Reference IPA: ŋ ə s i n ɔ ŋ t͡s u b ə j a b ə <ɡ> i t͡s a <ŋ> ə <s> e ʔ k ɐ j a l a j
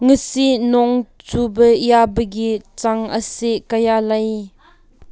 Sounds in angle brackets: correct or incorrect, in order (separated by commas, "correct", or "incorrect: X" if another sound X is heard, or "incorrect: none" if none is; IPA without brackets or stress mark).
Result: correct, correct, correct